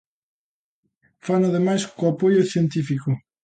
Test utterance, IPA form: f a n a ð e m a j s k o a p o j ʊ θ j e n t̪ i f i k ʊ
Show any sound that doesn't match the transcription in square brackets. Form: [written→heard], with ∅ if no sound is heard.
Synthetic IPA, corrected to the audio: f a n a ð e m a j s k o a p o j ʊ θ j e n t̪ i f i k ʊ